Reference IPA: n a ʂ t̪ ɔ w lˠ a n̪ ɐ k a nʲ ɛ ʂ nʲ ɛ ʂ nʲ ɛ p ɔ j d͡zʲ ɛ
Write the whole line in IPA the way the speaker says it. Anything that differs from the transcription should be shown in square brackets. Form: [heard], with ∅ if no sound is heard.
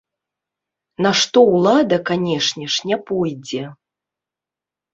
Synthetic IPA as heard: n a ʂ t̪ ɔ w lˠ a [d̪] ɐ k a nʲ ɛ ʂ nʲ ɛ ʂ nʲ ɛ p ɔ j d͡zʲ ɛ